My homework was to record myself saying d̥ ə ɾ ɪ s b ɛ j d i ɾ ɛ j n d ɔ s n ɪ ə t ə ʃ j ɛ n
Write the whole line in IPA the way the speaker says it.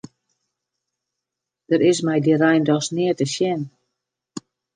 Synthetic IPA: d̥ ə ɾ ɪ s m ɛ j d i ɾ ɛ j n d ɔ s n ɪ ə t ə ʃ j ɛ n